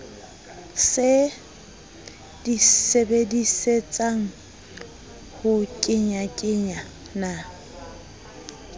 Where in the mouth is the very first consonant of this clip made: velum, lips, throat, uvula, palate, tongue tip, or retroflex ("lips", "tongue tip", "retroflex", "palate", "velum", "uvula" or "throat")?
tongue tip